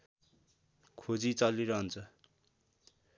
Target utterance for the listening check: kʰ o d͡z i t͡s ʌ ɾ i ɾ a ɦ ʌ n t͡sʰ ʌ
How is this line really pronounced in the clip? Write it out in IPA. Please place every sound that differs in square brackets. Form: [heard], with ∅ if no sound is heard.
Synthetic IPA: kʰ o d͡z i t͡s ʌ [l] i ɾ [ʌ] ɦ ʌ n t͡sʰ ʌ